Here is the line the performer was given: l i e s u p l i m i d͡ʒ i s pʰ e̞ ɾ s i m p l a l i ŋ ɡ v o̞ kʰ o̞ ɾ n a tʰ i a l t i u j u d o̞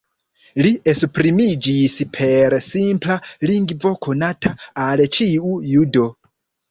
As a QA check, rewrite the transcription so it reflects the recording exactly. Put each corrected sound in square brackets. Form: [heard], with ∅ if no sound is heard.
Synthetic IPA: l i e s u p [ɾ] i m i d͡ʒ i s pʰ e̞ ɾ s i m p l a l i ŋ ɡ v o̞ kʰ o̞ [∅] n a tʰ [a] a l [t͡ʃ] i u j u d o̞